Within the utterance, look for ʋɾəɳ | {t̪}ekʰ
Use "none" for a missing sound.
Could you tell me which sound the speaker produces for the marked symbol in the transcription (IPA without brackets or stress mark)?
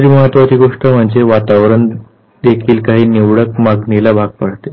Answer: d̪